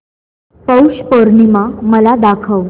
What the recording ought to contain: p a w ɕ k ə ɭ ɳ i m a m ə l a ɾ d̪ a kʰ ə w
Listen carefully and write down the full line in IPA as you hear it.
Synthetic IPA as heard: p ə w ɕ p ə ɾ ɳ i m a m ə l a d̪ a kʰ ə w